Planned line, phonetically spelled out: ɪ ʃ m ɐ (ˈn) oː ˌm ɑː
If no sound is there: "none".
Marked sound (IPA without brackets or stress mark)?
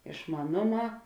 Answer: n